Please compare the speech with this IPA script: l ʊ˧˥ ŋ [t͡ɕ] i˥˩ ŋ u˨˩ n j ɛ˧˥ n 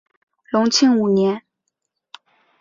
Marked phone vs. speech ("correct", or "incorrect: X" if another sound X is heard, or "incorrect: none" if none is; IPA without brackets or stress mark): incorrect: t͡ɕʰ